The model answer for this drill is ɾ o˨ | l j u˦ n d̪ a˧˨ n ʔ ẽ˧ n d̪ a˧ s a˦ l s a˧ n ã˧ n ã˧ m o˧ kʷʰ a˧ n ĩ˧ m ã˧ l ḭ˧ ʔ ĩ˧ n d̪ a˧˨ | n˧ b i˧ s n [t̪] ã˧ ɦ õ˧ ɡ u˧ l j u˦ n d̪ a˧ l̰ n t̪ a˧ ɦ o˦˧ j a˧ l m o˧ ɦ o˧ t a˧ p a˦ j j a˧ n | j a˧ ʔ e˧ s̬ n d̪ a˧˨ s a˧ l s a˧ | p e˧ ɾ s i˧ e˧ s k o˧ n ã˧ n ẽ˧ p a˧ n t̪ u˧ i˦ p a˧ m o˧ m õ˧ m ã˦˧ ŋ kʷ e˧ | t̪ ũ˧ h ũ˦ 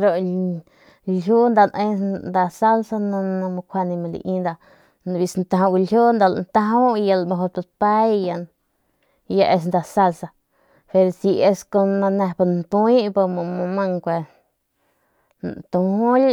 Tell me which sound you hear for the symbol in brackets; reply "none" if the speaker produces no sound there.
t̪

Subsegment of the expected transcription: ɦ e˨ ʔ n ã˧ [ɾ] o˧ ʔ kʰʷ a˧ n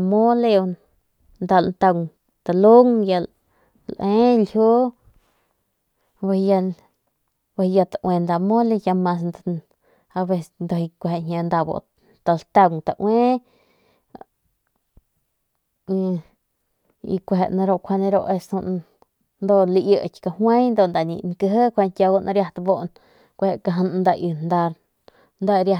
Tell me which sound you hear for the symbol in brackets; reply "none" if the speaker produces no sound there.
ɾ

